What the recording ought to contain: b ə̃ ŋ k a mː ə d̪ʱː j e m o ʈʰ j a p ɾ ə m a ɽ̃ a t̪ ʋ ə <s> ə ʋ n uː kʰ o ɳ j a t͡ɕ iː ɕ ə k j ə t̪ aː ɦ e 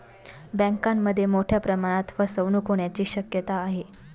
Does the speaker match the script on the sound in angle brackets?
yes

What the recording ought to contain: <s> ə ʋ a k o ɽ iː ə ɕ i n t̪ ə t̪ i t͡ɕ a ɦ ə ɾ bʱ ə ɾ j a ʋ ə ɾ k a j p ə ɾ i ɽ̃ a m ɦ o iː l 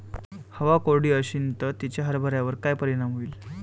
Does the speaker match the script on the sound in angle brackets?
no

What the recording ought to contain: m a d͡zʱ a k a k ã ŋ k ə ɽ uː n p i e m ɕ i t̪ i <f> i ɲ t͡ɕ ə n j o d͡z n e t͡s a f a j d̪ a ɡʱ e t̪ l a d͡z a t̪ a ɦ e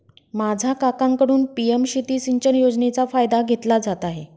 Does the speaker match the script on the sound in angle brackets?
no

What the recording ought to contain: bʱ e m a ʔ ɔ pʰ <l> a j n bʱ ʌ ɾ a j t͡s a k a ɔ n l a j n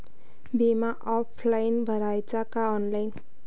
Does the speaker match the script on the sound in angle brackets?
yes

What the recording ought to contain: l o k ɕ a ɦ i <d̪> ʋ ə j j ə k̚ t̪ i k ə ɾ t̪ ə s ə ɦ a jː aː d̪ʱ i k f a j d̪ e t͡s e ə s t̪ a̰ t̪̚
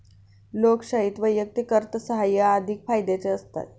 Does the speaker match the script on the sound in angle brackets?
no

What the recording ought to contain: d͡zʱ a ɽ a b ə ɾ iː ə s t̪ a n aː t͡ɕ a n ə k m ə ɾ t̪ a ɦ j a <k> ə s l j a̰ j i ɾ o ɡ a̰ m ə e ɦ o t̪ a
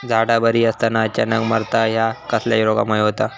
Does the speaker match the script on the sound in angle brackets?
yes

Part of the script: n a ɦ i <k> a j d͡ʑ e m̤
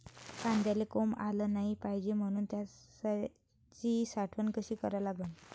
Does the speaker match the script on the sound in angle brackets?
no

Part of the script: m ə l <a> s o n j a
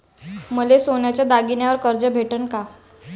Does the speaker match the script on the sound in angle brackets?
no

